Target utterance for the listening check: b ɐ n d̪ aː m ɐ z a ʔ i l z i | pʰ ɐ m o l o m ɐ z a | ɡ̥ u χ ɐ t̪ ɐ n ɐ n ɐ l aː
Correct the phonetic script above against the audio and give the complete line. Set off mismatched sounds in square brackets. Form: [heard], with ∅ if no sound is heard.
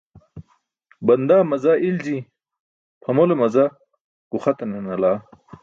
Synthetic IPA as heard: b ɐ n d̪ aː m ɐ z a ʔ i l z i | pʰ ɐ m o l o m ɐ z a | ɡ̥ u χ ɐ t̪ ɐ n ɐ n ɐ l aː

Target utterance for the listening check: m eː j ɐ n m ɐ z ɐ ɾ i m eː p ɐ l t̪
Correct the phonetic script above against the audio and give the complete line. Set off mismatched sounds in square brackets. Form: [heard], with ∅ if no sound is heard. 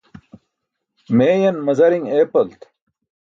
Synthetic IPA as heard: m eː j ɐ n m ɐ z ɐ ɾ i [ŋ] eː p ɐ l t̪

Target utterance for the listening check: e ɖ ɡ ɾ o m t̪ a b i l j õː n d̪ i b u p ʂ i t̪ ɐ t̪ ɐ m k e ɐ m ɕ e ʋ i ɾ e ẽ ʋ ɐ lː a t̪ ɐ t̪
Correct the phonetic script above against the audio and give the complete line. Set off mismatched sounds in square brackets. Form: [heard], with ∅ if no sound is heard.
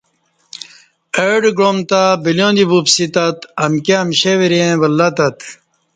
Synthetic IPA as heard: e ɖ ɡ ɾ o m t̪ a b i l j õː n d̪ i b u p [s] i t̪ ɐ t̪ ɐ m k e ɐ m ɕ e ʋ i ɾ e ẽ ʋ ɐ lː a t̪ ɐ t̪

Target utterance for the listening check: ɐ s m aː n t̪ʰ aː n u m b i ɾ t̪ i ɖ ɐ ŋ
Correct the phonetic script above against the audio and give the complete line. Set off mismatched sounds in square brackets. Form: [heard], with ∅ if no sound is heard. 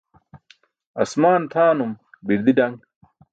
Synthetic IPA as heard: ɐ s m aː n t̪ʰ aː n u m b i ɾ [d̪] i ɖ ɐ ŋ

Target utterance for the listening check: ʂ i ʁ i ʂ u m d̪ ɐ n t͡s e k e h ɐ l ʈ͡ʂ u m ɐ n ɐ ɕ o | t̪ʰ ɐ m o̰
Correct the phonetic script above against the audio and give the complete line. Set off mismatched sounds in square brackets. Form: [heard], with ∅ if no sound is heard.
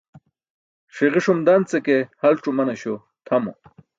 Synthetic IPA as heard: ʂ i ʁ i ʂ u m d̪ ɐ n t͡s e k e h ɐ l ʈ͡ʂ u m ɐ n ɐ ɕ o | t̪ʰ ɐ m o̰

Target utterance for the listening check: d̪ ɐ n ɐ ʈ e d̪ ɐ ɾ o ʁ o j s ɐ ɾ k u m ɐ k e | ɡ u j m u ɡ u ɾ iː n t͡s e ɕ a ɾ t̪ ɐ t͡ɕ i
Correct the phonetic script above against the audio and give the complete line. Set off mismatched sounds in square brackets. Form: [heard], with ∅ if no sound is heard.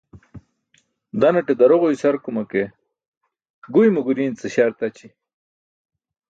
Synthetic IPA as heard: d̪ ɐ n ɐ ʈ e d̪ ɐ ɾ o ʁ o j s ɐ ɾ k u m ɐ k e | ɡ u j m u ɡ u ɾ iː n t͡s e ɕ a ɾ t̪ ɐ t͡ɕ i

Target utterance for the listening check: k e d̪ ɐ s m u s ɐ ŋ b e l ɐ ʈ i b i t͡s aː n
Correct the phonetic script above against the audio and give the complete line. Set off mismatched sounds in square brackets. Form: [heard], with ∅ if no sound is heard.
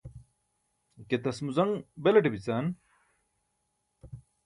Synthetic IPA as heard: k e [t̪] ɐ s m u [z] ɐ ŋ b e l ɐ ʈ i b i t͡s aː n

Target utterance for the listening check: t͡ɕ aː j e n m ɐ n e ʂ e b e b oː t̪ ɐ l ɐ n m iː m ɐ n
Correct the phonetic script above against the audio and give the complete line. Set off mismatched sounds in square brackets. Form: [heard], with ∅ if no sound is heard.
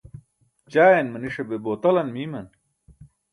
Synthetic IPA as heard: t͡ɕ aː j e n m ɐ n [i] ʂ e b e b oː t̪ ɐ l ɐ n m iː m ɐ n

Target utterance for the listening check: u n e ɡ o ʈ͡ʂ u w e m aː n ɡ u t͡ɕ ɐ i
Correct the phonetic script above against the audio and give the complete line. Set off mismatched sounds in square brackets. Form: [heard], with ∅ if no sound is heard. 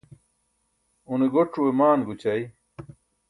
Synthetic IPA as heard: u n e ɡ o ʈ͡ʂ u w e m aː n ɡ u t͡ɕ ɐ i

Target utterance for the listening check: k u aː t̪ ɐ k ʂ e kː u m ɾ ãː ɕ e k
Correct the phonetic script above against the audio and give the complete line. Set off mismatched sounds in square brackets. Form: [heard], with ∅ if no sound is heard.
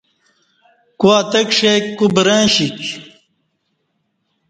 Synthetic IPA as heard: k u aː t̪ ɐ k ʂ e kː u [b] ɾ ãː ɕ [i] k

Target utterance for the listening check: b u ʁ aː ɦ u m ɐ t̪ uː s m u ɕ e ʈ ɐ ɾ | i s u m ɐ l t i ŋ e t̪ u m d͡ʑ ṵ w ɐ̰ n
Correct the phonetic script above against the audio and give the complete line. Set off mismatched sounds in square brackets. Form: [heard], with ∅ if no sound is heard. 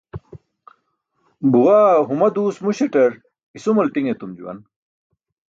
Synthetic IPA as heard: b u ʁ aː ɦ u m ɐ [d̪] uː s m u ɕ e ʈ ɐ ɾ | i s u m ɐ l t i ŋ e t̪ u m d͡ʑ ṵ w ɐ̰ n

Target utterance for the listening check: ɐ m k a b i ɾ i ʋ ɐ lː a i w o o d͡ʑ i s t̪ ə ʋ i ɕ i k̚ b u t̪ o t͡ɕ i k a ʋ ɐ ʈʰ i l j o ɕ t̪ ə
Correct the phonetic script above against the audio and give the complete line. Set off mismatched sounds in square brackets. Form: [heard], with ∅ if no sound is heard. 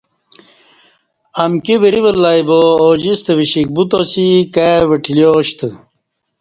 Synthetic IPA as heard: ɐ m k [i] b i ɾ i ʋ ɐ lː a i [b] o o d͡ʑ i s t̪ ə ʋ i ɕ i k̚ b u t̪ o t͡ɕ i k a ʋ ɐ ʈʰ i l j o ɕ t̪ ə

